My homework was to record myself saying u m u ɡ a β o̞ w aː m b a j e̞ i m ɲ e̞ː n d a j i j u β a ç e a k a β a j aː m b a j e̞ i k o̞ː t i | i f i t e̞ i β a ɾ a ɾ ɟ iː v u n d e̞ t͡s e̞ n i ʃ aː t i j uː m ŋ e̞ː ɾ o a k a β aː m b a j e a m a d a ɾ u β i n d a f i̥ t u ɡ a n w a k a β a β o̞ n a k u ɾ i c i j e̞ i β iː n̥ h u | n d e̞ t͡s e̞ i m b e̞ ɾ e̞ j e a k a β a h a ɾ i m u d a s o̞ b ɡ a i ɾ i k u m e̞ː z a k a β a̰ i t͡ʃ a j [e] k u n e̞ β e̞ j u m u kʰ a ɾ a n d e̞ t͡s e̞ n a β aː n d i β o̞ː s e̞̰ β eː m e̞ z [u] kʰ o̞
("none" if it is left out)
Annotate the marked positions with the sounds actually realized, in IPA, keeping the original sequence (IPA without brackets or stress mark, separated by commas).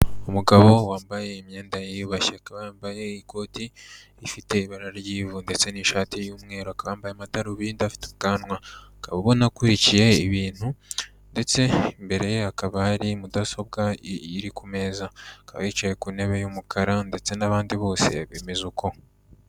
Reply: e, u